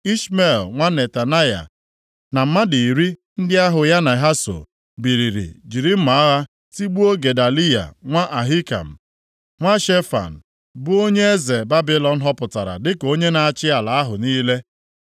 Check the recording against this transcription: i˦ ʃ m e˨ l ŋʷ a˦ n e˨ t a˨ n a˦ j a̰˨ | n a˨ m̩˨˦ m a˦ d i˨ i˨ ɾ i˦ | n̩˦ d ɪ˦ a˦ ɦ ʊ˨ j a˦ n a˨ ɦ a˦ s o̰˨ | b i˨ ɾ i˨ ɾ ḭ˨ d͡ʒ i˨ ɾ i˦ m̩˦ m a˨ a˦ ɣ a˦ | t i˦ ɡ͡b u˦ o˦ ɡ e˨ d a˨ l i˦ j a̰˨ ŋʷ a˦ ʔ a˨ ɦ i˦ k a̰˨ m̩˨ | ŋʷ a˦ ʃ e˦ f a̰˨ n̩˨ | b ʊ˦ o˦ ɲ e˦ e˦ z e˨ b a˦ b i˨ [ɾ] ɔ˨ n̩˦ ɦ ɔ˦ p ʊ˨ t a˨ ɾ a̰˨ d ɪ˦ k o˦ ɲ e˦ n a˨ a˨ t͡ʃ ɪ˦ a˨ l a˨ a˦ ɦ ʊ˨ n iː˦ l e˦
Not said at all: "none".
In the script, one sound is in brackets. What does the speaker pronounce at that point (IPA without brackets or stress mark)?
l